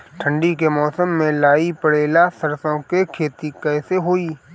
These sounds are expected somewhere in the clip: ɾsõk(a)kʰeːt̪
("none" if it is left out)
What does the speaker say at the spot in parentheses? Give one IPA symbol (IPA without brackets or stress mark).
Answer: e